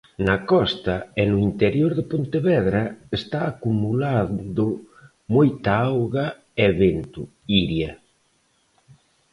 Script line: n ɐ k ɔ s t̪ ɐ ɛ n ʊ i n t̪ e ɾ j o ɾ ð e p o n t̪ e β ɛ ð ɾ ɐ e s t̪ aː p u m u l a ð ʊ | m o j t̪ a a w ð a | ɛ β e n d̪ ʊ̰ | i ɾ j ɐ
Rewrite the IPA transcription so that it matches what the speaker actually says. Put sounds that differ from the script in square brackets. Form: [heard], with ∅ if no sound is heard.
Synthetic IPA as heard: n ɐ k ɔ s t̪ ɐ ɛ n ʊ i n t̪ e ɾ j o ɾ ð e p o n t̪ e β ɛ ð ɾ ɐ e s t̪ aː [k] u m u l a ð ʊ | m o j t̪ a a w [ɣ] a | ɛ β e n [t̪] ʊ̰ | i ɾ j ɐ